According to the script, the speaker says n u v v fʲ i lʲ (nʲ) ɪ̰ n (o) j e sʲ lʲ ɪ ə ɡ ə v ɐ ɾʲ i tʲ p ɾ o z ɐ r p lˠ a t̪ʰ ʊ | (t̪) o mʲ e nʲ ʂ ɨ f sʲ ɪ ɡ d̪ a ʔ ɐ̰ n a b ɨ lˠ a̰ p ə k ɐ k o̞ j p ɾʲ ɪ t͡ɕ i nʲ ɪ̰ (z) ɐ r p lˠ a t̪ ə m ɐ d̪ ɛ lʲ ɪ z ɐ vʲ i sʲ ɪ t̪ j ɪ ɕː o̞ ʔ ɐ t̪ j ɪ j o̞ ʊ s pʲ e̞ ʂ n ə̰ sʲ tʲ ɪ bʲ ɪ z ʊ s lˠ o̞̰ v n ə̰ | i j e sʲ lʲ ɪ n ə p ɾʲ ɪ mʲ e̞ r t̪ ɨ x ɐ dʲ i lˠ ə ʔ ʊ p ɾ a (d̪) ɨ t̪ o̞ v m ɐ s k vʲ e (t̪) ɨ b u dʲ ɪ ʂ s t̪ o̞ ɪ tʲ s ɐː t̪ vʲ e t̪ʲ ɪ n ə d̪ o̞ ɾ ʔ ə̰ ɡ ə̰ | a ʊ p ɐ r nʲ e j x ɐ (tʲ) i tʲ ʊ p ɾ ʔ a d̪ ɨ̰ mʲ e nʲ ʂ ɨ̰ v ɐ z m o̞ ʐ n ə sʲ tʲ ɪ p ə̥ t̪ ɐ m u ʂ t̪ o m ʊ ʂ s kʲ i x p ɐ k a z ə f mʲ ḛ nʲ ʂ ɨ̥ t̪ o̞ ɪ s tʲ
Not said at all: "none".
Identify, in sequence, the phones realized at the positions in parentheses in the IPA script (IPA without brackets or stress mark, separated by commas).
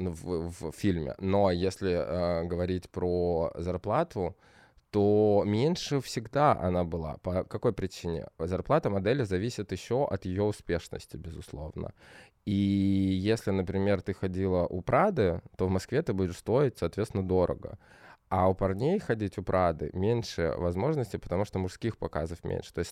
mʲ, o, t̪, z, d̪, t̪, dʲ